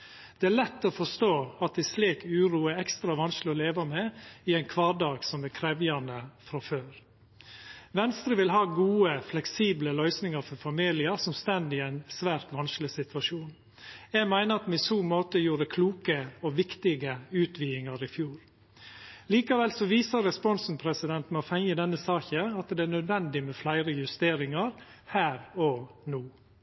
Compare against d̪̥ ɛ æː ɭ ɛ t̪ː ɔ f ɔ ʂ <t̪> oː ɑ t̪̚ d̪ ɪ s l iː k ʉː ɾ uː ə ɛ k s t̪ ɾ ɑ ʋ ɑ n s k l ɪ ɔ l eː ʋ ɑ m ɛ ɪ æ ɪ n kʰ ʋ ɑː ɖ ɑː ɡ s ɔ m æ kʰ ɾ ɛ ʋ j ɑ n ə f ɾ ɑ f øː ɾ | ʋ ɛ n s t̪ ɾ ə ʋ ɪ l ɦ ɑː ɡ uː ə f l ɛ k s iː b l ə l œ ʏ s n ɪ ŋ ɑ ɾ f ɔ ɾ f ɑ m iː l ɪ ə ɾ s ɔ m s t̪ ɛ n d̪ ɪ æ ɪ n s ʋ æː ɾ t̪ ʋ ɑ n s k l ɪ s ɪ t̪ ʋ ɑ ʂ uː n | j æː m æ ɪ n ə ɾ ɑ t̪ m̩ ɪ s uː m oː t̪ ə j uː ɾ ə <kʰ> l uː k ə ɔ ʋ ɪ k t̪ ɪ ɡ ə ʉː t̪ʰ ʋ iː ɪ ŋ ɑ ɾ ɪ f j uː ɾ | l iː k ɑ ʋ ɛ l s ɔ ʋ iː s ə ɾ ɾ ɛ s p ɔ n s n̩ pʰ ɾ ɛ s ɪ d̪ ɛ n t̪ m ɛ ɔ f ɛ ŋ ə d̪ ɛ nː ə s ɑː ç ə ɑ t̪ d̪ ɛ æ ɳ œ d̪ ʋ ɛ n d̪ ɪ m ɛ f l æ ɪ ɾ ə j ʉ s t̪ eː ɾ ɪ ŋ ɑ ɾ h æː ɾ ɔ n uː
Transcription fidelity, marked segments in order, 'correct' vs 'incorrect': correct, correct

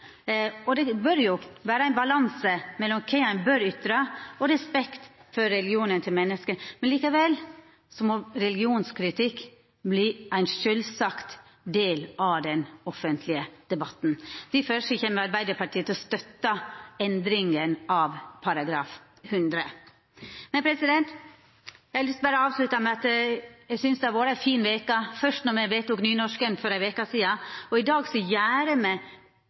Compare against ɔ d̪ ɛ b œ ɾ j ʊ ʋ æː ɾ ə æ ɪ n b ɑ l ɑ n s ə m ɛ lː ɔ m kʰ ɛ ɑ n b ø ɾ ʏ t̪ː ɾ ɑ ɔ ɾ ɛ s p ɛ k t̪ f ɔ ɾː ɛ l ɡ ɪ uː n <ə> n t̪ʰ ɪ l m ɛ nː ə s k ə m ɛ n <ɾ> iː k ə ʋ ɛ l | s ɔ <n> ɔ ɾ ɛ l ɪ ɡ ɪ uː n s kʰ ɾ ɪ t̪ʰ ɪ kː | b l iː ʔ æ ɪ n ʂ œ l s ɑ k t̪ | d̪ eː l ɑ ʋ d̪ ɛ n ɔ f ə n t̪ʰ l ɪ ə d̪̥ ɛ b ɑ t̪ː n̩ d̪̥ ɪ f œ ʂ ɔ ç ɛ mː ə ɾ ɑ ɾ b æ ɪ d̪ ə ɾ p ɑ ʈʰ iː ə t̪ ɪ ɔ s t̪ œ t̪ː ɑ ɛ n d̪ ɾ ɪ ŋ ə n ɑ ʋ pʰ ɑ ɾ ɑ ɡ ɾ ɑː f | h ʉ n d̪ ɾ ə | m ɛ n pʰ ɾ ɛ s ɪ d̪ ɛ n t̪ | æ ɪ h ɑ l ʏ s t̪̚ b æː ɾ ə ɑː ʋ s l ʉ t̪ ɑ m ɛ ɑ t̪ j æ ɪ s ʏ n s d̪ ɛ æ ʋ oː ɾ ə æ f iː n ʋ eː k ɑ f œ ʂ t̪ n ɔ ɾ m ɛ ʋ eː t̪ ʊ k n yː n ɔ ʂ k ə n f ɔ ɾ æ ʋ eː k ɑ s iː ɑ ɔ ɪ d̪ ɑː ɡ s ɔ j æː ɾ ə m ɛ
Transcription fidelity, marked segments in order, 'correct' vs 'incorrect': correct, incorrect: l, incorrect: m

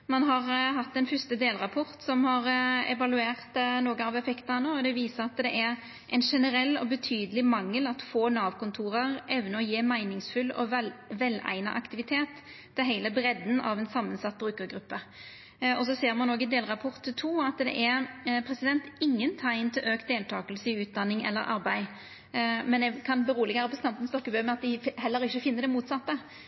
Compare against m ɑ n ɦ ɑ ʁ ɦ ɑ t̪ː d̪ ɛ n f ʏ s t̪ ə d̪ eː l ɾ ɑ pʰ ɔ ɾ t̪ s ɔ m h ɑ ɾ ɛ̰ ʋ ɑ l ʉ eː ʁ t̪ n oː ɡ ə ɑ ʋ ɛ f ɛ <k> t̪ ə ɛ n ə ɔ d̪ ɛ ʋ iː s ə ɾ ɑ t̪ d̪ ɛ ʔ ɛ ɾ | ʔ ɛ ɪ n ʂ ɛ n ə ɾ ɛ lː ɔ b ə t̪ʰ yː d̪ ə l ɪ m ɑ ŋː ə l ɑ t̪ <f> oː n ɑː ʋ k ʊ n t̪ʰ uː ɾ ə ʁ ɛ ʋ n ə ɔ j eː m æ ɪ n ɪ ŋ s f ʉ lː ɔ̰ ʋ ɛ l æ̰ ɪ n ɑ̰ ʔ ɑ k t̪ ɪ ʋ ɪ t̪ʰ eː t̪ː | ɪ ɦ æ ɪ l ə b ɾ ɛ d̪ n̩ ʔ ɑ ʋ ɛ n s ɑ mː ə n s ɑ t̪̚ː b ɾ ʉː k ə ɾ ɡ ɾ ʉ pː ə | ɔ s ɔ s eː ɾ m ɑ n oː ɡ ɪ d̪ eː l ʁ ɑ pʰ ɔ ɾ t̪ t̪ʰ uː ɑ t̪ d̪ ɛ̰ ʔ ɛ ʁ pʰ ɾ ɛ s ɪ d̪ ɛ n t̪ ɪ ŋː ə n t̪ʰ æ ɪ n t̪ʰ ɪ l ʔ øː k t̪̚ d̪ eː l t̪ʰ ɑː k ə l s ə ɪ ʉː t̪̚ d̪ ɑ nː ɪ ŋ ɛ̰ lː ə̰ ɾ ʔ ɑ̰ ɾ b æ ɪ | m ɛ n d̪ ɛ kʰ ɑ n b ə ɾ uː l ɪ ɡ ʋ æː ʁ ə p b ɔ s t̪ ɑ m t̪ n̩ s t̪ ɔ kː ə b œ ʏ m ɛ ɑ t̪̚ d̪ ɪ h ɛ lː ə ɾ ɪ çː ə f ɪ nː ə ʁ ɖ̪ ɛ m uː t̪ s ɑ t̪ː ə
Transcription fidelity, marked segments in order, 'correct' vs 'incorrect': correct, correct

